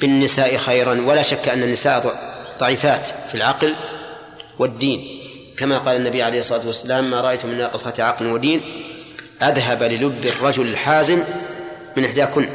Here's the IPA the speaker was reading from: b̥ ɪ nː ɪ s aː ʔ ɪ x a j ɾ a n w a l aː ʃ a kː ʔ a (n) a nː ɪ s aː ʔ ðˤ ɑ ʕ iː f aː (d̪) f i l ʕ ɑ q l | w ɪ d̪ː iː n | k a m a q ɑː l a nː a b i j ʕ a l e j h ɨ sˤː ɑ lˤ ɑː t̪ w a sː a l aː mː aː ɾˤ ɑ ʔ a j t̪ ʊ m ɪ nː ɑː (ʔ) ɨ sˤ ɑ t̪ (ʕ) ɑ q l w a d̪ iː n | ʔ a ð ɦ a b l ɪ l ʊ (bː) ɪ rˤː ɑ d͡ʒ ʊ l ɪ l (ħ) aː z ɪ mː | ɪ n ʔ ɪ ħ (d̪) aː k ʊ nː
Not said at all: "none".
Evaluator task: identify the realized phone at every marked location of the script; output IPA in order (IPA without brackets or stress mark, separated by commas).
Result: nː, t̪, q, ʕ, bː, ħ, d̪